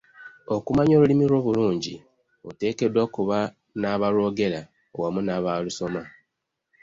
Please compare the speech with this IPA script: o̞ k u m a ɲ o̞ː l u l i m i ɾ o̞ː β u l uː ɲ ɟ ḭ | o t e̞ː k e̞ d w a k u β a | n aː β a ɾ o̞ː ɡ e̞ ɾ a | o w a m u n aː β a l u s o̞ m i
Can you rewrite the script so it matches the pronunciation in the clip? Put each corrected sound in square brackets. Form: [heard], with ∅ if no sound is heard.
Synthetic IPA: o̞ k u m a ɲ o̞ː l u l i m i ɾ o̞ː β u l uː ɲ ɟ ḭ | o t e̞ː k e̞ d w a k u β a | n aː β a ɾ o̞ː ɡ e̞ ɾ a | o w a m u n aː β a l u s o̞ m [a]